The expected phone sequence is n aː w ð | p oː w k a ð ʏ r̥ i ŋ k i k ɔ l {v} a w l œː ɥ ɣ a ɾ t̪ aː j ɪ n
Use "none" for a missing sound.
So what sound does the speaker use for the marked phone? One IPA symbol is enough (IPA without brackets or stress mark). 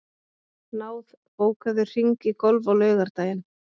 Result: v